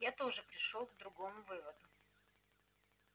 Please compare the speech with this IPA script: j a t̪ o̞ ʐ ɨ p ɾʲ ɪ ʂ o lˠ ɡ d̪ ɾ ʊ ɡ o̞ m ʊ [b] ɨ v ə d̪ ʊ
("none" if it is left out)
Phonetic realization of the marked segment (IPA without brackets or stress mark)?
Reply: v